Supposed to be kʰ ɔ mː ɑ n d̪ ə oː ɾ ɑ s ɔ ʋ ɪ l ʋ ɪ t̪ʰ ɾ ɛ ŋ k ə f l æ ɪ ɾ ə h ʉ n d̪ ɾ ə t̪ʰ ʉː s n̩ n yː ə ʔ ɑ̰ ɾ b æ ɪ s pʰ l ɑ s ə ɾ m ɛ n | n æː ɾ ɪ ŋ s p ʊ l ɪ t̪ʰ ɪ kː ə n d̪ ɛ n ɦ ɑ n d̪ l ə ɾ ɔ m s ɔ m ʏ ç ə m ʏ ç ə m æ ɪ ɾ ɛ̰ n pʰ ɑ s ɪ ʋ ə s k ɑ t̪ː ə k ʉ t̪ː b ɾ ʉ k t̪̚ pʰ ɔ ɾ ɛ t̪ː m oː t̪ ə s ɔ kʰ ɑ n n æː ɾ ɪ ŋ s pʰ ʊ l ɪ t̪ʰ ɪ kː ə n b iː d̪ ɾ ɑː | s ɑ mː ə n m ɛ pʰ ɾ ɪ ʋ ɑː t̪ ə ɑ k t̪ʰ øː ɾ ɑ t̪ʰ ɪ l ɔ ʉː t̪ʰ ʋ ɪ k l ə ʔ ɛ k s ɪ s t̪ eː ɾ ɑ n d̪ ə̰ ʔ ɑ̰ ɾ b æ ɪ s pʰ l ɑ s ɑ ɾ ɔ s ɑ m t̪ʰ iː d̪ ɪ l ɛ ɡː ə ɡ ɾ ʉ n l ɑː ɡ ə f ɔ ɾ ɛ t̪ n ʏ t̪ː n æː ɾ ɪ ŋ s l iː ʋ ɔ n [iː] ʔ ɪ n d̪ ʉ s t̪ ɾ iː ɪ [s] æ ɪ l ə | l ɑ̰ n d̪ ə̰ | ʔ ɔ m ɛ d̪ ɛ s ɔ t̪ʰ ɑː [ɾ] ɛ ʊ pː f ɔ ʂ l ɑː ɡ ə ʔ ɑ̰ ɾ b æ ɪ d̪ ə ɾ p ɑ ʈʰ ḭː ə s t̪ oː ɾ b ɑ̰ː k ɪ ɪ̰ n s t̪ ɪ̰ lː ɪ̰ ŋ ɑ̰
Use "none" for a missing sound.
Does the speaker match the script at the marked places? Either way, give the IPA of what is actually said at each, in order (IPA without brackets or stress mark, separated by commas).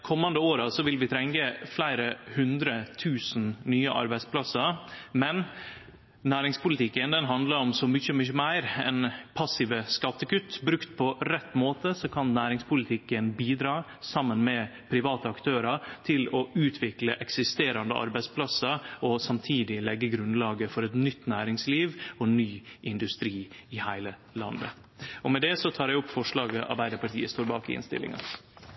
yː, h, ɾ